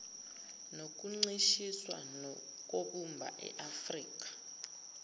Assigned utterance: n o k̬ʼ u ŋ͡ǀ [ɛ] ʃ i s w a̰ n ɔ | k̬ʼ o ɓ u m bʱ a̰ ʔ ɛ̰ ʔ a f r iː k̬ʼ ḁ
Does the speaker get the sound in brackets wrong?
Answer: yes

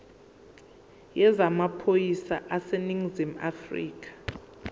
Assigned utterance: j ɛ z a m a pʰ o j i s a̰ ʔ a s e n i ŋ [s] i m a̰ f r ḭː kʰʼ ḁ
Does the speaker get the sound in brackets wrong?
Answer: yes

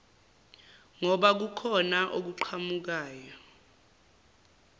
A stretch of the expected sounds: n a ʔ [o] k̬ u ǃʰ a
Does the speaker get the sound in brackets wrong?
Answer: no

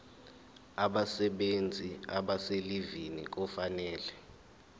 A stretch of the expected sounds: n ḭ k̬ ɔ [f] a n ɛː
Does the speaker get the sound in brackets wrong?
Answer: no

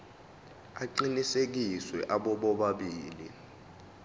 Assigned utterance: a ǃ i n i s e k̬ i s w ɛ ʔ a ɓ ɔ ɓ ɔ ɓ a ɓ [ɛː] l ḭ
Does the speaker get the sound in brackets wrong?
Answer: yes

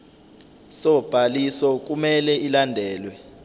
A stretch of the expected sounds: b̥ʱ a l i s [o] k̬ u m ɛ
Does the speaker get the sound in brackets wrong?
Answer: yes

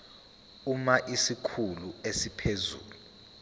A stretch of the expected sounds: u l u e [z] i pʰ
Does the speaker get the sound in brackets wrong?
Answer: yes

